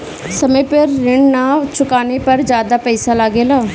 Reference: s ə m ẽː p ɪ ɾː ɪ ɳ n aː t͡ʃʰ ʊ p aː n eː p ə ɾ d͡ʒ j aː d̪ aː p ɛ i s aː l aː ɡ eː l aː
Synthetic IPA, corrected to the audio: s ə m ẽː p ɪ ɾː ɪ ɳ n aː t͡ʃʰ ʊ k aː n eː p ə ɾ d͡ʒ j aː d̪ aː p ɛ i s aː l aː ɡ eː l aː

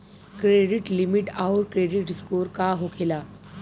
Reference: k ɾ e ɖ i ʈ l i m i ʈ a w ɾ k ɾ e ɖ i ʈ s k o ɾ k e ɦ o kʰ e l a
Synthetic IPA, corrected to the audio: k ɾ e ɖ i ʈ l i m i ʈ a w ɾ k ɾ e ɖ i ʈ s k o ɾ k a ɦ o kʰ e l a

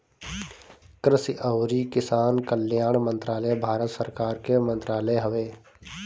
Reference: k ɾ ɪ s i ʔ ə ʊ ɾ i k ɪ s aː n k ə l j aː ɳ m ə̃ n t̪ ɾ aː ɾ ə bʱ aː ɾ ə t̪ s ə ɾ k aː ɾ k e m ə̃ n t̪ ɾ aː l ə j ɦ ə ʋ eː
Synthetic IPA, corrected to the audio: k ɾ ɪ s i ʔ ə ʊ ɾ i k ɪ s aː n k ə l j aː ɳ m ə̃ n t̪ ɾ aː l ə bʱ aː ɾ ə t̪ s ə ɾ k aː ɾ k e m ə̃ n t̪ ɾ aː l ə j ɦ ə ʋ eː

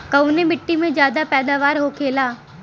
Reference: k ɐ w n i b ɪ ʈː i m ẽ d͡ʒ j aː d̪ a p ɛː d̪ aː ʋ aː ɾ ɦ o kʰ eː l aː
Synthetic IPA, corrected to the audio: k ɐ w n e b ɪ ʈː i m ẽ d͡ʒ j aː d̪ a p ɛː d̪ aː ʋ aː ɾ ɦ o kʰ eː l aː

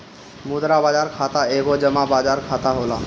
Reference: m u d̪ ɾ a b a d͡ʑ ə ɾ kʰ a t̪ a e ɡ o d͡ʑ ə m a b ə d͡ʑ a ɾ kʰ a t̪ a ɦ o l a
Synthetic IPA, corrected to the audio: m u d̪ ɾ a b a d͡ʑ a ɾ kʰ a t̪ a e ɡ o d͡ʑ ə m a b a d͡ʑ a ɾ kʰ a t̪ a ɦ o l a

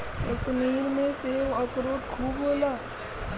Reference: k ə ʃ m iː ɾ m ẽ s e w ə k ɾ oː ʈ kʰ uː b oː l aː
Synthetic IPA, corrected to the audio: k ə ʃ m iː ɾ m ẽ s e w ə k ɾ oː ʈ kʰ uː b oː l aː

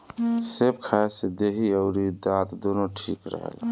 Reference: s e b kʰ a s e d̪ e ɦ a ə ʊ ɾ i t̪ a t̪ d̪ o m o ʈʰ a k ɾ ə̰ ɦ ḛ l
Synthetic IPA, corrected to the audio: s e b kʰ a s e d̪ e ɦ i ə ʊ ɾ i d̪ a t̪ d̪ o n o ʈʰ i k ɾ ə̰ ɦ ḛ l

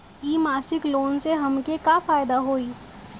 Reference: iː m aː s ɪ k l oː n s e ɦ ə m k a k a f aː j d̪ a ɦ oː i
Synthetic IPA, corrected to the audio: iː m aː s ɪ k l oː n s e ɦ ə m k e k a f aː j d̪ a ɦ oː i

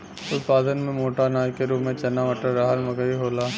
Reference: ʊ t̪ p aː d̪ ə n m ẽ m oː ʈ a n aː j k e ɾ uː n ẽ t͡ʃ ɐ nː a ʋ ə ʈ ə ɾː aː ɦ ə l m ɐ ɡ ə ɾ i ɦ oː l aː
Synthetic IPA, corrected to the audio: ʊ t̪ p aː d̪ ə n m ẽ m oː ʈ a n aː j k e ɾ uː m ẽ t͡ʃ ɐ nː a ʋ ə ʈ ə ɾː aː ɦ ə l m ɐ ɡ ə ɾ i ɦ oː l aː

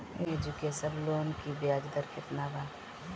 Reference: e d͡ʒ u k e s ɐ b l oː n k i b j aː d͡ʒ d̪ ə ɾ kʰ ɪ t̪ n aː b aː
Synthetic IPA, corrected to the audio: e d͡ʒ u k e s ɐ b l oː n k i b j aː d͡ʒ d̪ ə ɾ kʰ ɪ t̪ n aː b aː

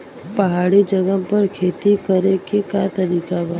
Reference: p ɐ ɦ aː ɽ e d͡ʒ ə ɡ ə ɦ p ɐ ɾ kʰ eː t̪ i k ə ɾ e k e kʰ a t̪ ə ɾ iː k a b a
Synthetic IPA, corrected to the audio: p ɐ ɦ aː ɽ i d͡ʒ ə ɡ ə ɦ p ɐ ɾ kʰ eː t̪ i k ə ɾ e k e k a t̪ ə ɾ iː k a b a

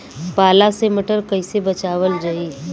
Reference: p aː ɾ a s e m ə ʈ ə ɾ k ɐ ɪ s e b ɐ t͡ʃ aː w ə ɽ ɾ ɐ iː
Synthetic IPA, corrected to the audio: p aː l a s e m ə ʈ ə ɾ k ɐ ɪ s e b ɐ t͡ʃ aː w ə l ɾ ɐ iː

